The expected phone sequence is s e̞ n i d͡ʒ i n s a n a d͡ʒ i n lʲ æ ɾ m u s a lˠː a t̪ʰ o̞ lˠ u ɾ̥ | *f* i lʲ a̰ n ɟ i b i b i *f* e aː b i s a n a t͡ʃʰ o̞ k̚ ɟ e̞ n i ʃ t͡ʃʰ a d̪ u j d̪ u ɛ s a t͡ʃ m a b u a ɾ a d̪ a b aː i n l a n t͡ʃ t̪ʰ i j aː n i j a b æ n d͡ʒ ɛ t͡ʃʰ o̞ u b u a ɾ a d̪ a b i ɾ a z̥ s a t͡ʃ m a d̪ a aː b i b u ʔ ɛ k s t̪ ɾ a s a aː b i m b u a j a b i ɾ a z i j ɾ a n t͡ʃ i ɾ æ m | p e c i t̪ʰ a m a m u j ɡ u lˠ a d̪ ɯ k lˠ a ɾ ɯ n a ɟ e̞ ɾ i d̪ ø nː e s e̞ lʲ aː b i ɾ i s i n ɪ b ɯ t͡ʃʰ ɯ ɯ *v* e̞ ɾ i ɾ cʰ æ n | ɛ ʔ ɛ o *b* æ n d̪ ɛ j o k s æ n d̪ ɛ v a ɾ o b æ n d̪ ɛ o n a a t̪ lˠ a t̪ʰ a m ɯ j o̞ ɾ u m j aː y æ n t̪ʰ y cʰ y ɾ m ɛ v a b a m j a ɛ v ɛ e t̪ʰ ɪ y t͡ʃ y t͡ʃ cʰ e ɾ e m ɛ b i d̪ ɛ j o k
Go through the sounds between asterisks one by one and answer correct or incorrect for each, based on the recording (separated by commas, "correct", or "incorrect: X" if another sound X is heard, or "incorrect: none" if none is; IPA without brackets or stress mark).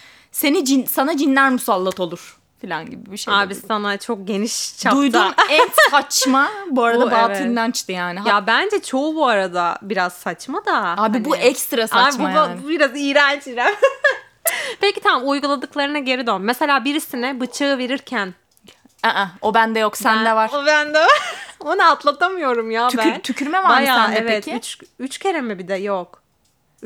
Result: correct, incorrect: ʃ, correct, correct